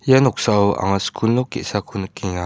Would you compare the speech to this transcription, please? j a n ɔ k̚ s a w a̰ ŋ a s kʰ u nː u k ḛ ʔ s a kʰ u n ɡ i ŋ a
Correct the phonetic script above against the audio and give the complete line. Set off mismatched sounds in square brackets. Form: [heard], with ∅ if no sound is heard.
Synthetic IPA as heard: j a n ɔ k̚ s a w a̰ ŋ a s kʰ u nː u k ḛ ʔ s a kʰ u n [k] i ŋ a